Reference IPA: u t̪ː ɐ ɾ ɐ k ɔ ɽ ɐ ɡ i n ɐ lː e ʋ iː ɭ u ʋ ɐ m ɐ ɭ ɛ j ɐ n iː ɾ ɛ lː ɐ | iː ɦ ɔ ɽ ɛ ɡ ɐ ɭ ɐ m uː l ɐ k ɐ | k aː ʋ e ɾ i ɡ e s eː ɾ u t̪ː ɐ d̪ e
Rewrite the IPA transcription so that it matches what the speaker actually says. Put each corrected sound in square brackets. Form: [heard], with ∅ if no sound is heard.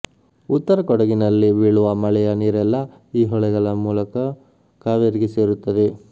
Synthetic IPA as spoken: u t̪ː ɐ ɾ ɐ k ɔ ɽ ɐ ɡ i n ɐ lː [i] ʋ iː ɭ u ʋ ɐ m ɐ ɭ ɛ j ɐ n iː ɾ ɛ lː ɐ | iː ɦ ɔ [ɭ] ɛ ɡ ɐ ɭ ɐ m uː l ɐ k ɐ | k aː ʋ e ɾ i ɡ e s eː ɾ u t̪ː ɐ d̪ e